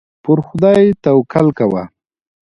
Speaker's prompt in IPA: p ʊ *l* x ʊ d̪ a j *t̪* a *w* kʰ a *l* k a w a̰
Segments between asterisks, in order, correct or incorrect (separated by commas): incorrect, correct, correct, correct